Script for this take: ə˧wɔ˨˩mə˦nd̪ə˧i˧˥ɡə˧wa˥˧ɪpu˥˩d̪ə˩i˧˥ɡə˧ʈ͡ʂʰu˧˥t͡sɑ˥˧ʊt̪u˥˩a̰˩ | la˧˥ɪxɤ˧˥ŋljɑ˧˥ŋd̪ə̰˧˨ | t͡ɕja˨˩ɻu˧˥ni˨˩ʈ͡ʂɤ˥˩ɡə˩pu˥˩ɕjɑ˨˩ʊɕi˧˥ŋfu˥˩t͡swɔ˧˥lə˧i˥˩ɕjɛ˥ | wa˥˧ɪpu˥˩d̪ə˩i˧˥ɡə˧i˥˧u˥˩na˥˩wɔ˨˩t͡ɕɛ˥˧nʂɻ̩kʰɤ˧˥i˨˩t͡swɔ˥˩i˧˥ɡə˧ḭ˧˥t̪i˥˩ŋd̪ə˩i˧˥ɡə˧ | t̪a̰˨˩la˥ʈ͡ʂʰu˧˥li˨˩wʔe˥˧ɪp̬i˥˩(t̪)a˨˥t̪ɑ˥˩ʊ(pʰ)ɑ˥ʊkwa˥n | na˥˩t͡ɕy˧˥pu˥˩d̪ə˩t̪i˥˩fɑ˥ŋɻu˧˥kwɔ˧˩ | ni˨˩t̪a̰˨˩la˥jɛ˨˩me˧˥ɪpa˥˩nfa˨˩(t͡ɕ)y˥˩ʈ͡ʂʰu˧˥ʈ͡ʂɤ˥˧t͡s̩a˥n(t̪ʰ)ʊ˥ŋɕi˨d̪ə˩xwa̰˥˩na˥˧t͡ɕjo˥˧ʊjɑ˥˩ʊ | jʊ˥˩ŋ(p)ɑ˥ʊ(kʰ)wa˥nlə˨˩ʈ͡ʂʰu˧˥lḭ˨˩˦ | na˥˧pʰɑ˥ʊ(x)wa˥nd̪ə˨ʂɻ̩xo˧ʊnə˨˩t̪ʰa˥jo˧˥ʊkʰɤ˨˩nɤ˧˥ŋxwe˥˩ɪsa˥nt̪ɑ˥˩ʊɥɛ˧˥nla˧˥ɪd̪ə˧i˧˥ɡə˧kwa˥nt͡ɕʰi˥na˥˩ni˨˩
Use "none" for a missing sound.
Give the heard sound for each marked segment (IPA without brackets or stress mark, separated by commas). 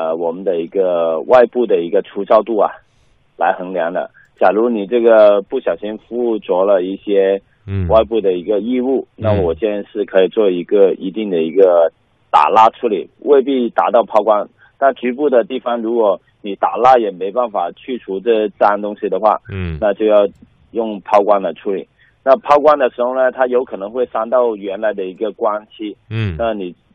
t̪, pʰ, t͡ɕʰ, t̪, pʰ, k, k